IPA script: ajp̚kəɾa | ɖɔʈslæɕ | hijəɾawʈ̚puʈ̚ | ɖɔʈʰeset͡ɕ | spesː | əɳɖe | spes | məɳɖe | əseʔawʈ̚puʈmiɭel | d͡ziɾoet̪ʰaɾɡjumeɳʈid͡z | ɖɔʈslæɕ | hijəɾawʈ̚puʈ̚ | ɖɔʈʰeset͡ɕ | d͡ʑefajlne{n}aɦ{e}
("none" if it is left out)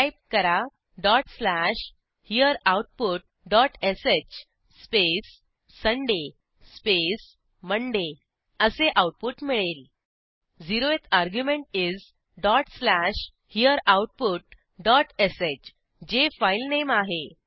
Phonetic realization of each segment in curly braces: m, e

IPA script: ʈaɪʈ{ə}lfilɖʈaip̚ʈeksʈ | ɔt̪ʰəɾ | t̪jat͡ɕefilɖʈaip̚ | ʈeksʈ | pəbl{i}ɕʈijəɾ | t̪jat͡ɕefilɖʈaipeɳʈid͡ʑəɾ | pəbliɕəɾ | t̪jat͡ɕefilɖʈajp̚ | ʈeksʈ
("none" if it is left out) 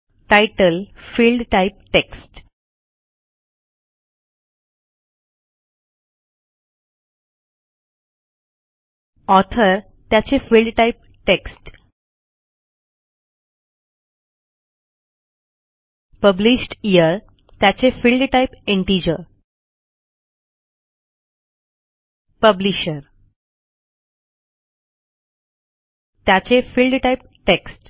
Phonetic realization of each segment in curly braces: ə, i

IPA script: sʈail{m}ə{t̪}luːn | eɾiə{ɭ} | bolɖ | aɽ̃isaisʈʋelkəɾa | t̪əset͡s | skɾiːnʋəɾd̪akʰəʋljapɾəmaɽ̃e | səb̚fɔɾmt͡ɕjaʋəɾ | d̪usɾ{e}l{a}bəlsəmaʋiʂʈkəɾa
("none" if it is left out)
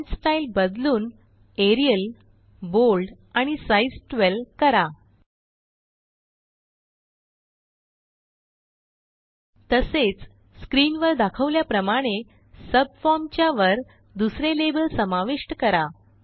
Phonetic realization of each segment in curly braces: b, d̪, l, e, e

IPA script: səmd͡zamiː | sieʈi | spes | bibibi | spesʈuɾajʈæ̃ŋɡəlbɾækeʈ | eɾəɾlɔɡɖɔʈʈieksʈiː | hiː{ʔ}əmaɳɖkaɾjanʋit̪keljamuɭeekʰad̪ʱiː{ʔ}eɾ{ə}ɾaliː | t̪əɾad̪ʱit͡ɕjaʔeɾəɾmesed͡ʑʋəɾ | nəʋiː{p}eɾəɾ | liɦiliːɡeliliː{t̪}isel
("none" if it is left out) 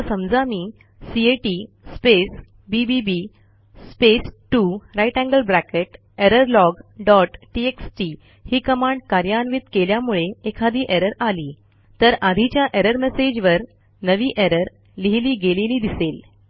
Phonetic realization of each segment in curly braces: k, ʔ, ə, ʔ, d̪

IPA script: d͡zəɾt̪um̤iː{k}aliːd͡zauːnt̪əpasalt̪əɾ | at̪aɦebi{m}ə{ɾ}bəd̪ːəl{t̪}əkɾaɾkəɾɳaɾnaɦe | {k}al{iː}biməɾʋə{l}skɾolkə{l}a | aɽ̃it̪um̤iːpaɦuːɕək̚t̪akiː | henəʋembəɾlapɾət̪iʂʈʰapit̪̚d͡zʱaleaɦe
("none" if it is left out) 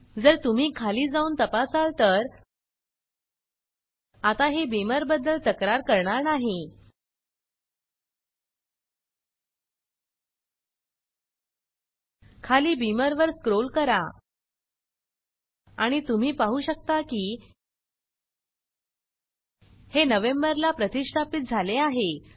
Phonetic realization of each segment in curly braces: kʰ, m, ɾ, t̪, kʰ, iː, ɾ, ɾ

